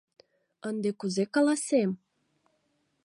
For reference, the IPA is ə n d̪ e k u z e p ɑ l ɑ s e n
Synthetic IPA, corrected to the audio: ə n d̪ e k u z e k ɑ l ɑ s e m